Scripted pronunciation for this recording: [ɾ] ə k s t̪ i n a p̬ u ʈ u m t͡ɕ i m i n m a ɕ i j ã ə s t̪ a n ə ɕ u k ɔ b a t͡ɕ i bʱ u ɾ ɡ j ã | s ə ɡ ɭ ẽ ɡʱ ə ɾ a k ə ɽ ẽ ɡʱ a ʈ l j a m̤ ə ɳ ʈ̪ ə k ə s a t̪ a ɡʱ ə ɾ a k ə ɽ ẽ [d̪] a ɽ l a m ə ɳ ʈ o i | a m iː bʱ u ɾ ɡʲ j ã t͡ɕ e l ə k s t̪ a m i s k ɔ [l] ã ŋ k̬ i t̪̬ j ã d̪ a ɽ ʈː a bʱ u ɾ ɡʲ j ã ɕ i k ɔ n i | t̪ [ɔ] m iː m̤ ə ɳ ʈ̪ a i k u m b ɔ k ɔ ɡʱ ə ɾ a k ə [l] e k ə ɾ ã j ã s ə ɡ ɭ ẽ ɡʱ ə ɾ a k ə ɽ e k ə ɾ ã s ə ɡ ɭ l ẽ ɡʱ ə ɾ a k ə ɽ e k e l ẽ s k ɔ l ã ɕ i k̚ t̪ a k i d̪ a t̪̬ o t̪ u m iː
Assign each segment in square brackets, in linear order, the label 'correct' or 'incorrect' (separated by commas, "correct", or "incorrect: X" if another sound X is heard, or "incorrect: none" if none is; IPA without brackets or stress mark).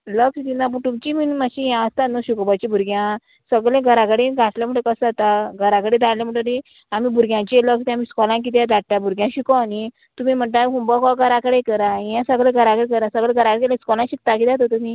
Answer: incorrect: l, correct, correct, incorrect: u, incorrect: ɽ